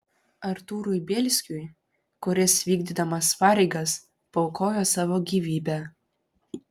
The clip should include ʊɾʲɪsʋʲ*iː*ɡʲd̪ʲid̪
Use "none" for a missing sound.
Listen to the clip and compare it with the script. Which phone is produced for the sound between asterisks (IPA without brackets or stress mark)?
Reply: iː